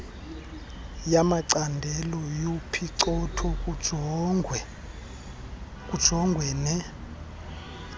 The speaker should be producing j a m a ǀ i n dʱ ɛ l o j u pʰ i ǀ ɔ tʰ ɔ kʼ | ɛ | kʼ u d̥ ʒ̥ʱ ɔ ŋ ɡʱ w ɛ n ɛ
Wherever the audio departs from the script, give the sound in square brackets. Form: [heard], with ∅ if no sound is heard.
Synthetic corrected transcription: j a m a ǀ [a] n dʱ ɛ l [ɔ] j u pʰ i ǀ ɔ tʰ ɔ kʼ | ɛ | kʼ u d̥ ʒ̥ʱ ɔ ŋ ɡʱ w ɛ n ɛ